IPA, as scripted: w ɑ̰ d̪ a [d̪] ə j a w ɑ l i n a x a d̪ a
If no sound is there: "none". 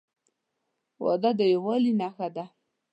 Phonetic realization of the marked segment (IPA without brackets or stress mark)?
d̪